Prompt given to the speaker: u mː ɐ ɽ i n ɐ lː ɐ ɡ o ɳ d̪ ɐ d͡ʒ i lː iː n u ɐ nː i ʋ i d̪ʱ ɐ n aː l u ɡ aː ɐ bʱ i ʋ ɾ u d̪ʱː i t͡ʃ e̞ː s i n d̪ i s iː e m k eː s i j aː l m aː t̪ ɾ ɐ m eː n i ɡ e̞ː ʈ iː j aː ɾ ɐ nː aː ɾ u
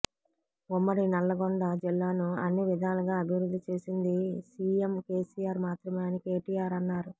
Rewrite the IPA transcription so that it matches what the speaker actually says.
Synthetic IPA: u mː ɐ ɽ i n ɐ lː ɐ ɡ o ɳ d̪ ɐ d͡ʒ i lː aː n u ɐ nː i ʋ i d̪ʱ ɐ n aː l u ɡ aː ɐ bʱ i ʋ ɾ u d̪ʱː i t͡ʃ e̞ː s i n d̪ i s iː e m k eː s i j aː ɾ m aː t̪ ɾ ɐ m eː n i k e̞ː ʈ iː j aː ɾ ɐ nː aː ɾ u